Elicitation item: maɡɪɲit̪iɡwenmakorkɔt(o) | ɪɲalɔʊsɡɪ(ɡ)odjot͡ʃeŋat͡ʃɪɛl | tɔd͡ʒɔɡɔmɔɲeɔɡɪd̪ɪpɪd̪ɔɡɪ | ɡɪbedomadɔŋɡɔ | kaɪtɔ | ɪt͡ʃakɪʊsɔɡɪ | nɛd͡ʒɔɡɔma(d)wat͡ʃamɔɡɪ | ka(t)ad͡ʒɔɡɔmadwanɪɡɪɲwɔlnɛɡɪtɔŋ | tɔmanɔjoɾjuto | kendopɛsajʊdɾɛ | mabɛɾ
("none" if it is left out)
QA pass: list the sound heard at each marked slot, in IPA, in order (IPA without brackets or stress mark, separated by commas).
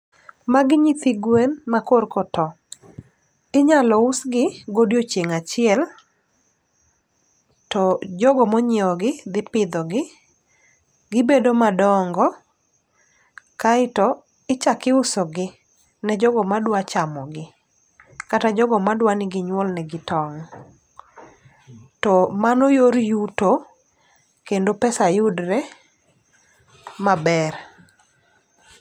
ɔ, ɡ, d, t